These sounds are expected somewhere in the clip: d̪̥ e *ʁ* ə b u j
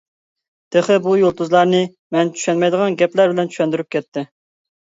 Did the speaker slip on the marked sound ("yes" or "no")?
yes